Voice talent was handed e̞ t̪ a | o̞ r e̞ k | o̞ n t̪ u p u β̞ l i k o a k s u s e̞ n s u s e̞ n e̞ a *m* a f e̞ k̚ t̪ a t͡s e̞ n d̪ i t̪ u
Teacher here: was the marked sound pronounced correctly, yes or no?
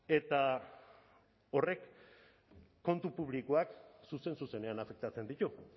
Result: no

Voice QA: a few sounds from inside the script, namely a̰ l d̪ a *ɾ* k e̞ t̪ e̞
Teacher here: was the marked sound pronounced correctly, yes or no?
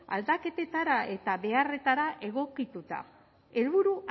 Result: no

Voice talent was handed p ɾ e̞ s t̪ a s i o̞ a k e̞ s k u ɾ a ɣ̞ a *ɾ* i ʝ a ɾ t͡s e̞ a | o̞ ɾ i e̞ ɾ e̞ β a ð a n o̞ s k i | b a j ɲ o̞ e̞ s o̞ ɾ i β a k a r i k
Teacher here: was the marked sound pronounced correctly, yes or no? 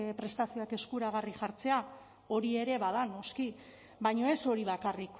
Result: no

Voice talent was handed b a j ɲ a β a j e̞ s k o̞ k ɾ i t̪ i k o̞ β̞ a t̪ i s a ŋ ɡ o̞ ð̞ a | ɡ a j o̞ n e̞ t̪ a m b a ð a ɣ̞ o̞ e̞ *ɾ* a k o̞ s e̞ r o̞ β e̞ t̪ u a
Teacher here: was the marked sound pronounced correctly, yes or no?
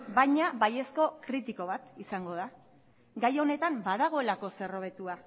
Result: no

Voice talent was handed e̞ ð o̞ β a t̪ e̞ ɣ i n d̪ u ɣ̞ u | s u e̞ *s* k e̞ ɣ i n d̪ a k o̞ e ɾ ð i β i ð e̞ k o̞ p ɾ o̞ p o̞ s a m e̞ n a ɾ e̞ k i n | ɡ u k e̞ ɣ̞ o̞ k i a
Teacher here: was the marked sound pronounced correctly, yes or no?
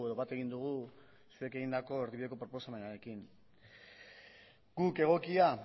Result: no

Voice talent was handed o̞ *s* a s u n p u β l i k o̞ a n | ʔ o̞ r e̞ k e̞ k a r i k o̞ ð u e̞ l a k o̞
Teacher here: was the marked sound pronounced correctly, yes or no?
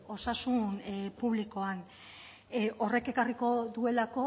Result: yes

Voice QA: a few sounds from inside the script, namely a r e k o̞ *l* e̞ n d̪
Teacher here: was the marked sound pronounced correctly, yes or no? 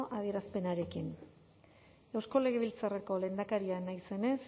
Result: yes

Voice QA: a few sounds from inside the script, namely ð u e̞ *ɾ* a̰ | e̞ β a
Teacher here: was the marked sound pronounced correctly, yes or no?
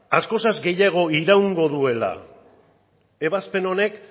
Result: no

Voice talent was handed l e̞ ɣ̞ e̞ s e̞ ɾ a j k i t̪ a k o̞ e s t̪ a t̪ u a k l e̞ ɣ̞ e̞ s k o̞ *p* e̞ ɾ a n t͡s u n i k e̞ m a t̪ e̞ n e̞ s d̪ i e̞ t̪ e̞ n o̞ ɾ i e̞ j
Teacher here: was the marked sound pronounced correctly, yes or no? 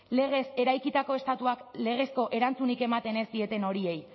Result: no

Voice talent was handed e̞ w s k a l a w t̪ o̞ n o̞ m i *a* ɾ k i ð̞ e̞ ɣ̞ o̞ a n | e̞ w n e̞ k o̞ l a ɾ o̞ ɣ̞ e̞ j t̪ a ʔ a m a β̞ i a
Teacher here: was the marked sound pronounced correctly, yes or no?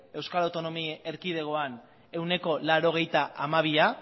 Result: no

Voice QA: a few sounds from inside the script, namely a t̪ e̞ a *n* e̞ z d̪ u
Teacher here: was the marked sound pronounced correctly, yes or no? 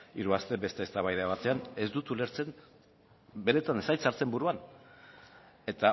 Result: yes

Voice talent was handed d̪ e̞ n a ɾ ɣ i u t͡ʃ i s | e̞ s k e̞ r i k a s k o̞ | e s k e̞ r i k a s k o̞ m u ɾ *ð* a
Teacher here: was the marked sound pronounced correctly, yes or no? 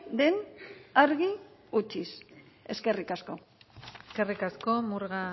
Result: no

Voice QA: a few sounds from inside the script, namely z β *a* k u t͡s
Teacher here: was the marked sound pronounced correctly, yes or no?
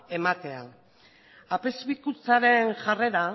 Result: no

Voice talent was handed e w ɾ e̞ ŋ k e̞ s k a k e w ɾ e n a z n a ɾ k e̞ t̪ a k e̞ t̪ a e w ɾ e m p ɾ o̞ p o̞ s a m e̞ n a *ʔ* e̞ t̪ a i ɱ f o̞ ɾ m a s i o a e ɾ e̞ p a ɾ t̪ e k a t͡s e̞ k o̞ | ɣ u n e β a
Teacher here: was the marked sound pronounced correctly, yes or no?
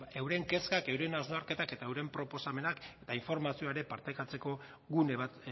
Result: no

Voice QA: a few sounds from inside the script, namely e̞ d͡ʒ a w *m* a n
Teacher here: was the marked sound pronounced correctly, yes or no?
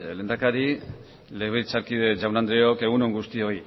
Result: no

